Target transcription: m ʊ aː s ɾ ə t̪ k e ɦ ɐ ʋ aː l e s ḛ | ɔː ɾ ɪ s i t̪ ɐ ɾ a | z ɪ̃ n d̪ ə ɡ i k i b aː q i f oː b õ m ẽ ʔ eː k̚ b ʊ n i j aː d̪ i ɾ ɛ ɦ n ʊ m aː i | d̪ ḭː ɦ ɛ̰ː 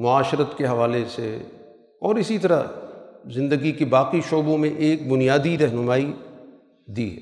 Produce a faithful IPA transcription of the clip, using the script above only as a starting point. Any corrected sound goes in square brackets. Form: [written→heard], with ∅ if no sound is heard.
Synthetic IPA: m ʊ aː [s→ʃ] ɾ ə t̪ k e ɦ ɐ ʋ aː l e s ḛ | ɔː ɾ ɪ s i t̪ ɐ ɾ a | z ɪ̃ n d̪ ə ɡ i k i b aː q i [f→ʃ] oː b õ m ẽ ʔ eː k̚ b ʊ n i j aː d̪ i ɾ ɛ ɦ n ʊ m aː i | d̪ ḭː ɦ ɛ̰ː